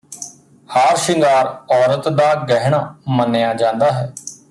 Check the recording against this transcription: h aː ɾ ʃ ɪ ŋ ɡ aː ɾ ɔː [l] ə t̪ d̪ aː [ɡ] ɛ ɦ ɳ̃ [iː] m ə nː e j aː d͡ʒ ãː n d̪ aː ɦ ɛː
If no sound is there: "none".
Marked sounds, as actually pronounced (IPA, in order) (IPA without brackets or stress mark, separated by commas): ɾ, ɡ, aː